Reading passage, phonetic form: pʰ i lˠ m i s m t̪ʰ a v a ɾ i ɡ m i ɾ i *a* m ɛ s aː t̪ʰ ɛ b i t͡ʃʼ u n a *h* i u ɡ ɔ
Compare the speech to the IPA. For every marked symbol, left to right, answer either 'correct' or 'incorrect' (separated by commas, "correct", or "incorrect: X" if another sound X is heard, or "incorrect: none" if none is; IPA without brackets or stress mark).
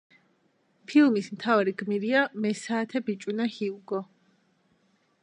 correct, correct